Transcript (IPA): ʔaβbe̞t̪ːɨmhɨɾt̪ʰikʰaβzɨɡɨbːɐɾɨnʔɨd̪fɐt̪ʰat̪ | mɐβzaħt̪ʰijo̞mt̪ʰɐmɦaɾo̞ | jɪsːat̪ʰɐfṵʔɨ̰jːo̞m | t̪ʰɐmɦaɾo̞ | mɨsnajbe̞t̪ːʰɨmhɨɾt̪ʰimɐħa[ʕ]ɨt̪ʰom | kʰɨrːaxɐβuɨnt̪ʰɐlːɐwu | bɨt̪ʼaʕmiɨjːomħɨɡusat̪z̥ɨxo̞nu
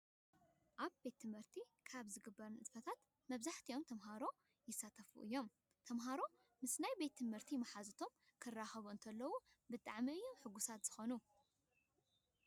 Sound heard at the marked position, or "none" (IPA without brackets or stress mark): z